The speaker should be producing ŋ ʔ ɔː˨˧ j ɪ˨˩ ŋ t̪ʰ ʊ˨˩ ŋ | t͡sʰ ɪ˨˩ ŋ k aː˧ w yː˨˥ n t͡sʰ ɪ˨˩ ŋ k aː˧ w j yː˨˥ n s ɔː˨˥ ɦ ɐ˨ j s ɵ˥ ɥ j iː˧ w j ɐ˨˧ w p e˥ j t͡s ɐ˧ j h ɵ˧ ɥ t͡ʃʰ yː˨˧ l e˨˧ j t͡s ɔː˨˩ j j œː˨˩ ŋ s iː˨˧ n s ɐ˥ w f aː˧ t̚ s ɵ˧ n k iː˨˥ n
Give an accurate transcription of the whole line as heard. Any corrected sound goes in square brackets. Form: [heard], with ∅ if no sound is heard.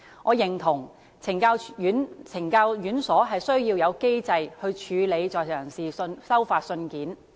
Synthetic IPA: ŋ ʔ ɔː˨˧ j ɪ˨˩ ŋ t̪ʰ ʊ˨˩ ŋ | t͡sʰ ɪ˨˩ ŋ k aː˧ w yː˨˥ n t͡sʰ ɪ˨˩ ŋ k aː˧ w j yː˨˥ n s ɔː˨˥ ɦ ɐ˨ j s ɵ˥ ɥ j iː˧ w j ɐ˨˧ w [k] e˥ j t͡s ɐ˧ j h ɵ˧ ɥ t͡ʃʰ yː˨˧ l e˨˧ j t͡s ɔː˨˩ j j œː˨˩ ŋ s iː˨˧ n s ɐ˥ w f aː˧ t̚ s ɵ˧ n k iː˨˥ n